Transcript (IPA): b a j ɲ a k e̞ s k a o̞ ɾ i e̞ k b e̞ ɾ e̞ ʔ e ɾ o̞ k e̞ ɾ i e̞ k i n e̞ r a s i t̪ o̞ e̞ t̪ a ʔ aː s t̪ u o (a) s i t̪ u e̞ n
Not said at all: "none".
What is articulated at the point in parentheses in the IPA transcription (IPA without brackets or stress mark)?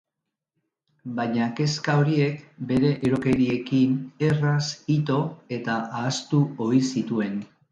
i